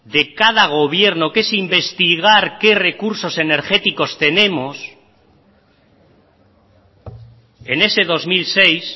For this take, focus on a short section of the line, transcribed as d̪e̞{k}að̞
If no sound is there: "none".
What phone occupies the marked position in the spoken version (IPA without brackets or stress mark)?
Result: k